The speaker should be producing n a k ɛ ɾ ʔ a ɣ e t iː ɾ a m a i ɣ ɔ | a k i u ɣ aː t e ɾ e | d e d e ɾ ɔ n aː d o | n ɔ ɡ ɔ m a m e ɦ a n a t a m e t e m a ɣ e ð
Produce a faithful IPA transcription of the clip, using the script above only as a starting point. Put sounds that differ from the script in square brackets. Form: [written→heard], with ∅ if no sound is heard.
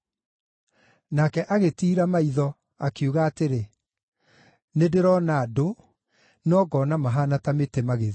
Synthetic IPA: n a k ɛ [ɾ→∅] ʔ a ɣ e t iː ɾ a m a i [ɣ→ð] ɔ | a k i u ɣ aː t e ɾ e | [d→n] e d e ɾ ɔ n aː d o | n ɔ ɡ ɔ [m→n] a m [e→a] ɦ a n a t a m e t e m a ɣ e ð

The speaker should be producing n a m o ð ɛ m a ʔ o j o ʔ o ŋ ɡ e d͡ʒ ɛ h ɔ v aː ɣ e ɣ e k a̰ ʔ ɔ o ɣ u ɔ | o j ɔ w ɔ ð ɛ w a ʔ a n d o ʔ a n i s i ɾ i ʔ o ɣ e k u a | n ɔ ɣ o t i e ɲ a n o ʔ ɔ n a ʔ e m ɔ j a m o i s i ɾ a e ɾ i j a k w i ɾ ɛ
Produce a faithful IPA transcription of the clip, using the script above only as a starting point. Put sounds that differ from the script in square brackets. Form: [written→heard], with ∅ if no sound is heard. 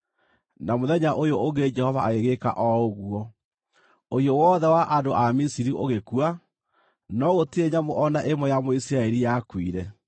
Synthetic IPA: n a m o ð ɛ [m→ɲ] a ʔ o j o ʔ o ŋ ɡ e d͡ʒ ɛ h ɔ v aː ɣ e ɣ e k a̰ ʔ ɔ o ɣ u ɔ | o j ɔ w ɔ ð ɛ w a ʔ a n d o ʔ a [n→m] i s i ɾ i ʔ o ɣ e k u a | n ɔ ɣ o t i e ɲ a [n→m] o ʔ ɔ n a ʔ e m ɔ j a m o i s i ɾ a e ɾ i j a k w i ɾ ɛ

